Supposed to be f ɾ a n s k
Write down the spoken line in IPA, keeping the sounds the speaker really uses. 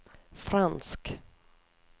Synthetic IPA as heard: f ɾ a n s k